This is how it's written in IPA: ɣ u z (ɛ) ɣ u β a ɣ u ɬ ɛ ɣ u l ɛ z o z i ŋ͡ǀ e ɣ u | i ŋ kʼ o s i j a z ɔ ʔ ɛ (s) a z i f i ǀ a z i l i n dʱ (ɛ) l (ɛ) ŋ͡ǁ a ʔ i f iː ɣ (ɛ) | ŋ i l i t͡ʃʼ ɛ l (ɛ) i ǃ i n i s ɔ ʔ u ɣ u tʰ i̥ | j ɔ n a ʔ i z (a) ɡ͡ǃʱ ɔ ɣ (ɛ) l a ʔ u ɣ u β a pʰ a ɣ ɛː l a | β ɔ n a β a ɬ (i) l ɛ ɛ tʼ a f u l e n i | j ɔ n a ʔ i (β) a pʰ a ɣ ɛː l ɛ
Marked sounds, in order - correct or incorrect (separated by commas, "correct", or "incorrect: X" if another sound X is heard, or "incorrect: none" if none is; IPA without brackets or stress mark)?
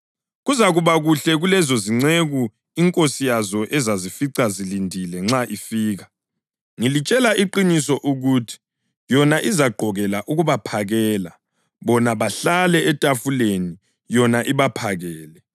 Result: incorrect: a, incorrect: z, incorrect: i, correct, incorrect: a, incorrect: a, correct, correct, incorrect: a, correct